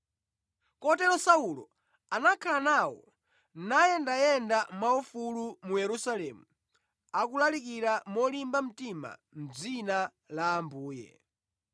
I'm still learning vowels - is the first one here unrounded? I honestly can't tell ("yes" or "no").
no